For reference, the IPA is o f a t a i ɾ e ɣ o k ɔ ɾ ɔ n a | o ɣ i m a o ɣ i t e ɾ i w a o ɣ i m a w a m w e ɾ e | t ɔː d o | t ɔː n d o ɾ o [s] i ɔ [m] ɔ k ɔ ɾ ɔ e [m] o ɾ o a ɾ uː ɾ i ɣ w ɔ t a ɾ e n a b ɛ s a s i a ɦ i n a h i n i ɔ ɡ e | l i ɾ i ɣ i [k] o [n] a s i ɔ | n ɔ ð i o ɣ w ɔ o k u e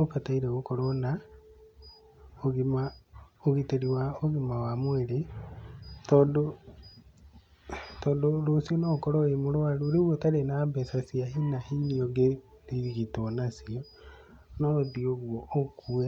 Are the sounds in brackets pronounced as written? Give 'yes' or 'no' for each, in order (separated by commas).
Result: yes, no, yes, no, yes